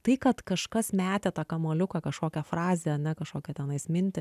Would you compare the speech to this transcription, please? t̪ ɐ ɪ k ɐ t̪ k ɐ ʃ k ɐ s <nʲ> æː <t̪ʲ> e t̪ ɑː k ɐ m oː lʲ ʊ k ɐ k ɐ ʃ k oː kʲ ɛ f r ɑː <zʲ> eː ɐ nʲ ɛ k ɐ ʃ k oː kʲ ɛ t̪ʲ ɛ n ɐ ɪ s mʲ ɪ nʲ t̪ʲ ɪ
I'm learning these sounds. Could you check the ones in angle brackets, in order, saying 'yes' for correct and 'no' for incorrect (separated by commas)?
no, yes, yes